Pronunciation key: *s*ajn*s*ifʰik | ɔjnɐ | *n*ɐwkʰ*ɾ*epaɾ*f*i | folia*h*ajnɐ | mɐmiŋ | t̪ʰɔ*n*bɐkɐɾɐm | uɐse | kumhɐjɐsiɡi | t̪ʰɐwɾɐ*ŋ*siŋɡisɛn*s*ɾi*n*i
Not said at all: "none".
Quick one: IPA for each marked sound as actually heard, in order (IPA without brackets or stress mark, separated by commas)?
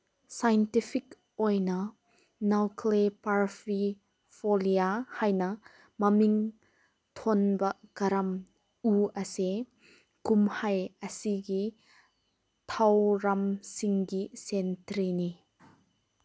s, t, n, l, f, h, n, m, t, n